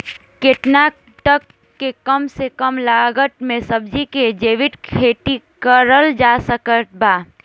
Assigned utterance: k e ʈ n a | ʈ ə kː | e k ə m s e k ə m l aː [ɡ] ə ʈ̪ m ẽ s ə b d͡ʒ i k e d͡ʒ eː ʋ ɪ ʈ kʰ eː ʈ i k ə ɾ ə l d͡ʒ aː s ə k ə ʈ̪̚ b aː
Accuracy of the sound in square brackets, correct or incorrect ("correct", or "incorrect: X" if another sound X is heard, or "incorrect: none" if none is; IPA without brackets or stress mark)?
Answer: correct